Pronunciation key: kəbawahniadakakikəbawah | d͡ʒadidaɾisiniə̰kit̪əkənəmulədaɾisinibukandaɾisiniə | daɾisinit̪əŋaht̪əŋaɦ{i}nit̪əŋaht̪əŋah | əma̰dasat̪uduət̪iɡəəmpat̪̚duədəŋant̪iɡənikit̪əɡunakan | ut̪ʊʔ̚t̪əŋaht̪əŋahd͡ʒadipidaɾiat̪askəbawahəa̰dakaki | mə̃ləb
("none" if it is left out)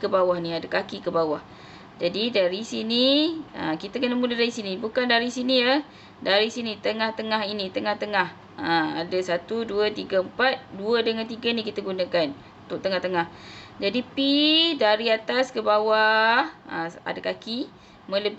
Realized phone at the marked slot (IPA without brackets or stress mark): i